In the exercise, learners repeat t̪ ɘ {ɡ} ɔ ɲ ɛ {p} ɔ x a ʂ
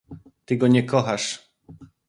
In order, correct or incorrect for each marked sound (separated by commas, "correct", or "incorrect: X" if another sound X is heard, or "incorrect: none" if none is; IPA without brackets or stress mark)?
correct, incorrect: k